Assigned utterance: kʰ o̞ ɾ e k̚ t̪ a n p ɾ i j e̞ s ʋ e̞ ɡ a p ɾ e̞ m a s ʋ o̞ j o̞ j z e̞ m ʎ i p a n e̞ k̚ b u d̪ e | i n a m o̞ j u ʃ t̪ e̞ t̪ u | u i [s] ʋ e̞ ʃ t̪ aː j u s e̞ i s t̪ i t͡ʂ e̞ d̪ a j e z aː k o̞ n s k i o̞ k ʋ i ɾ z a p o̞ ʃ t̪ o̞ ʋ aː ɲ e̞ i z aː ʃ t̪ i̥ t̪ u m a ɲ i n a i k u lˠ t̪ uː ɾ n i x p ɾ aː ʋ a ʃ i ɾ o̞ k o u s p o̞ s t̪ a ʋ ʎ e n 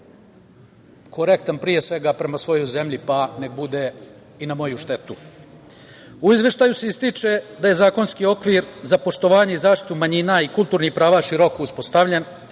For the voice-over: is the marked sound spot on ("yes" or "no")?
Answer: no